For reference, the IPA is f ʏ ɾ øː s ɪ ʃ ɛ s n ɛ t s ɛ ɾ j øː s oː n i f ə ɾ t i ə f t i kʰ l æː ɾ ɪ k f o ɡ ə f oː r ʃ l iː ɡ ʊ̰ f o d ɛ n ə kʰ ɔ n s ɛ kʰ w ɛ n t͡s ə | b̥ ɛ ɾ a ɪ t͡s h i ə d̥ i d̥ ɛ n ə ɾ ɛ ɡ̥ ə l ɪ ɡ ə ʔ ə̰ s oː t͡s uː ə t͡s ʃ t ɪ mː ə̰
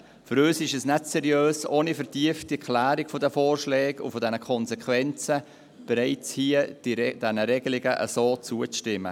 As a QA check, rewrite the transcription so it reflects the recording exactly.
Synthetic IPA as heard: f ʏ ɾ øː s ɪ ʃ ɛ s n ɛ t s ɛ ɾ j øː s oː n i f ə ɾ t i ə f t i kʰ l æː ɾ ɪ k f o d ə f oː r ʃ l ɛː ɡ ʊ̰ f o d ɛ n ə kʰ ɔ n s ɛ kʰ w ɛ n t͡s ə | b̥ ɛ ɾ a ɪ t͡s h i ə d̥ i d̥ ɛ n ə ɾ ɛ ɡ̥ ə l ɪ ɡ ə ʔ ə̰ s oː t͡s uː ə t͡s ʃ t ɪ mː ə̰